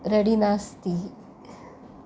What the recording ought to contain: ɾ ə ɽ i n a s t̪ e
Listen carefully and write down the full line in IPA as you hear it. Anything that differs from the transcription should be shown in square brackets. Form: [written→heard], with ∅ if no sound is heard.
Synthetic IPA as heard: ɾ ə ɽ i n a s t̪ [e→i]